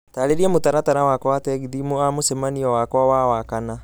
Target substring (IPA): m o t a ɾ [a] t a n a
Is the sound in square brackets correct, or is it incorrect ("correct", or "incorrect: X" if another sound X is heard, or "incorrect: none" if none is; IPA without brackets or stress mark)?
correct